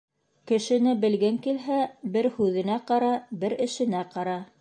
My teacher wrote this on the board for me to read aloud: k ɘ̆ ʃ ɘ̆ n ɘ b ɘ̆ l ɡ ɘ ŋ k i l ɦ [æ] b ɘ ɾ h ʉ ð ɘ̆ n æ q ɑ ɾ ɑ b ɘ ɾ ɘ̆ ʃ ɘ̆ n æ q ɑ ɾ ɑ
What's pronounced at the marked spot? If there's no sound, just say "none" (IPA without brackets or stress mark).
æ